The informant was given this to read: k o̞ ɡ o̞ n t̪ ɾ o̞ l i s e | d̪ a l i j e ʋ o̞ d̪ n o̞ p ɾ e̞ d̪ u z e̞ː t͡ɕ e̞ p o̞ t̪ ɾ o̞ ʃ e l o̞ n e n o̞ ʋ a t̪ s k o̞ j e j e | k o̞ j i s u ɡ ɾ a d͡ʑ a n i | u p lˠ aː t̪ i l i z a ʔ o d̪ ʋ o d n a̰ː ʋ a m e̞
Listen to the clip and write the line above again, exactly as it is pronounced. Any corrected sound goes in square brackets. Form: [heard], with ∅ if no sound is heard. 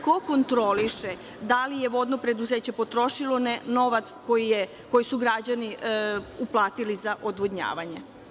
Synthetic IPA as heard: k o̞ [k] o̞ n t̪ ɾ o̞ l i [ʃ] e | d̪ a l i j e ʋ o̞ d̪ n o̞ p ɾ e̞ d̪ u z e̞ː t͡ɕ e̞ p o̞ t̪ ɾ o̞ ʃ [i] l o̞ n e n o̞ ʋ a t̪ s k o̞ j [i] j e | k o̞ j i s u ɡ ɾ a d͡ʑ a n i | u p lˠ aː t̪ i l i z a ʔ o d̪ ʋ o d [ɲ] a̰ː ʋ a [ɲ] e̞